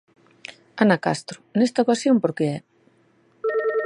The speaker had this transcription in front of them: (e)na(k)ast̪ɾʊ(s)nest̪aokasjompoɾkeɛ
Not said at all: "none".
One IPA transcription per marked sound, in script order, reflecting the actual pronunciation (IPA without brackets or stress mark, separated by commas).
a, k, none